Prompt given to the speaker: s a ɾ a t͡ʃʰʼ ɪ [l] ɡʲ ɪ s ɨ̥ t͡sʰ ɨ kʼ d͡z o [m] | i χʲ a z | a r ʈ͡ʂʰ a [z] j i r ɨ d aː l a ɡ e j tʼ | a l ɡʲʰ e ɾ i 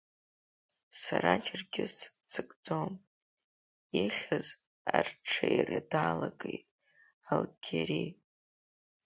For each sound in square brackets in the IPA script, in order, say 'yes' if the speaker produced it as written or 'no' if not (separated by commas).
no, yes, no